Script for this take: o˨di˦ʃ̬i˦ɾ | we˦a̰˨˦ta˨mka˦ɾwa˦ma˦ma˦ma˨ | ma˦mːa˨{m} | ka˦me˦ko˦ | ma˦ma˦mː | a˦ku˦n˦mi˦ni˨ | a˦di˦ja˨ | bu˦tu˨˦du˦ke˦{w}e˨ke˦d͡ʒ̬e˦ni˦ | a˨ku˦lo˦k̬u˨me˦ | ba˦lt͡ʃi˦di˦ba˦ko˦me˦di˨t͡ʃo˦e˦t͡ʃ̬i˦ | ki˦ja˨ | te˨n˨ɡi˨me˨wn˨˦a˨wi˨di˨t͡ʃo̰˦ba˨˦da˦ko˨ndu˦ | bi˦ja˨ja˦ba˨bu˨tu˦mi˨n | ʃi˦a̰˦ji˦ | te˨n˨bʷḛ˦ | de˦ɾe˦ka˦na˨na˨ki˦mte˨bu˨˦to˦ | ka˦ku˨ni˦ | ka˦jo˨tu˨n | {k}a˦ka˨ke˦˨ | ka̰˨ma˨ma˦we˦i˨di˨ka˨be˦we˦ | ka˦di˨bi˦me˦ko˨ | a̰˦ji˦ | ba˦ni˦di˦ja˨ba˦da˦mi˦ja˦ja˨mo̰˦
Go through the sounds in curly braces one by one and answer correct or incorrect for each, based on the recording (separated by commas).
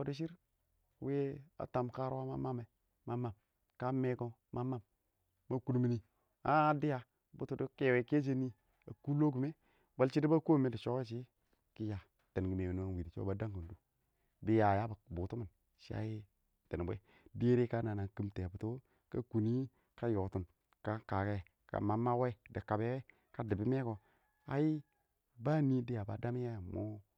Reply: correct, correct, correct